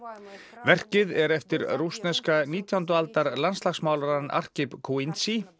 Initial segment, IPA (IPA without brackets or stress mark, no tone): v